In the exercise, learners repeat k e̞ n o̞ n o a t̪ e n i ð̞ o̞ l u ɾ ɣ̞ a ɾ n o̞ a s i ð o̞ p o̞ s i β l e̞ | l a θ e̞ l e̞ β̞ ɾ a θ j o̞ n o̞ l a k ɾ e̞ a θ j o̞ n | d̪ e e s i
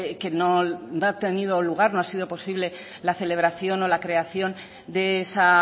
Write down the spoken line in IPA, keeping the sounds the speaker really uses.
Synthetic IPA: k e̞ n o̞ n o a t̪ e n i ð̞ o̞ l u ɣ̞ a ɾ n o̞ a s i ð o̞ p o̞ s i β l e̞ | l a θ e̞ l e̞ β̞ ɾ a θ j o̞ n o̞ l a k ɾ e̞ a θ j o̞ n | d̪ e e s a